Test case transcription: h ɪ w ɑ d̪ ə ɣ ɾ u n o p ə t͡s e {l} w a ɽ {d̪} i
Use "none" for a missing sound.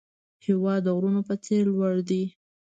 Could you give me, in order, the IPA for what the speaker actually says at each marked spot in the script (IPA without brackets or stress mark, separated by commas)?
l, d̪